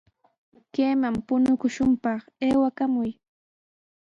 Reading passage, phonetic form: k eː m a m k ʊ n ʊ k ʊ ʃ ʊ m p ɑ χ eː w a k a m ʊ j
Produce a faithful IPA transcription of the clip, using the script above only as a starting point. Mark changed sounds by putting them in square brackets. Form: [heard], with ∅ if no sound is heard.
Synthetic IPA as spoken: k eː m a m [p] ʊ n ʊ k ʊ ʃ ʊ m p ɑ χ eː w a k a m ʊ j